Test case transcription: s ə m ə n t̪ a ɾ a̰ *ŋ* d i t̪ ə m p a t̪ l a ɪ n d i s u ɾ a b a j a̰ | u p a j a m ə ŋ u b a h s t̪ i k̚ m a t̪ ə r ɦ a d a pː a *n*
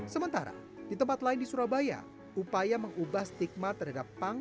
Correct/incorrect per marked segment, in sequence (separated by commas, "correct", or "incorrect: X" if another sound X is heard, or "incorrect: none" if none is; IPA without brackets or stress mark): incorrect: none, incorrect: ŋ